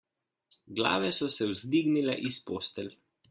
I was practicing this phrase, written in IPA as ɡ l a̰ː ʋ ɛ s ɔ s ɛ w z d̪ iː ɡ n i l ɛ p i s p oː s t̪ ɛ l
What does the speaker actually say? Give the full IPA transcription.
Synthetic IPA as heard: ɡ l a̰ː ʋ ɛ s ɔ s ɛ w z d̪ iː ɡ n i l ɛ ʔ i s p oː s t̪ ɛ l